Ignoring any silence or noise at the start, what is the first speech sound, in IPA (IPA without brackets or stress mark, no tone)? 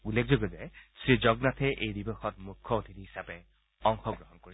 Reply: u